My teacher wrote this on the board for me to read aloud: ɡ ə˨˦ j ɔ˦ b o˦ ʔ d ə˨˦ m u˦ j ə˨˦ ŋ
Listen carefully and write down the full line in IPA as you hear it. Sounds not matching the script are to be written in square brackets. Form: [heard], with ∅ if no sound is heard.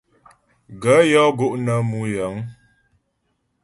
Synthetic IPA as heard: ɡ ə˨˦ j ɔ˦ [ɡ] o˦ ʔ [n] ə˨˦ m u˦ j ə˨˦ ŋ

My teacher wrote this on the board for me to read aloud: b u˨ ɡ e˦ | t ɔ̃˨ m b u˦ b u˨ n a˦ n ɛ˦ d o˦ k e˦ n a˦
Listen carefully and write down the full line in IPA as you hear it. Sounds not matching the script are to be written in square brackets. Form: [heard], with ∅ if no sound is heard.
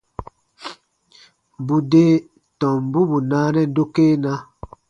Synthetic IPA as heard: b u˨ [d] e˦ | t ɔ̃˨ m b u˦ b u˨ n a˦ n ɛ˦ d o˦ k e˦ n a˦

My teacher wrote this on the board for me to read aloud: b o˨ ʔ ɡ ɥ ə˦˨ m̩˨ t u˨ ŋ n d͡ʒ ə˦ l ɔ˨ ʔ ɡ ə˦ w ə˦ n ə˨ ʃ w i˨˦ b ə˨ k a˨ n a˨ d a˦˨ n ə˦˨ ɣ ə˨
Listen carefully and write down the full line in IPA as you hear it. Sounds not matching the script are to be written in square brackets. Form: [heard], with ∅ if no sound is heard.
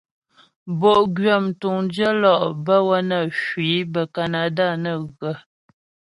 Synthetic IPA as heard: b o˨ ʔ ɡ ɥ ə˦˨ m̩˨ t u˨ ŋ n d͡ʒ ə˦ l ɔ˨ ʔ [b] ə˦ w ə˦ n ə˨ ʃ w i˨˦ b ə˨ k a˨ n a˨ d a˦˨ n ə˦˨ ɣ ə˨

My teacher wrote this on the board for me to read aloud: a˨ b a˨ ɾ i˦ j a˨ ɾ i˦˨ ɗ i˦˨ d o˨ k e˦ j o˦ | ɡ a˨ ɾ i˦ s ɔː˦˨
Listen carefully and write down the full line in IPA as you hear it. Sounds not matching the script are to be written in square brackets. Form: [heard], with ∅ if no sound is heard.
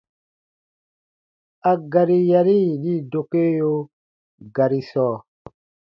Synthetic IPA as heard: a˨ [ɡ] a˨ ɾ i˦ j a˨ ɾ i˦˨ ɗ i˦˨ d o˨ k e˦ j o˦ | ɡ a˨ ɾ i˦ s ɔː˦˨

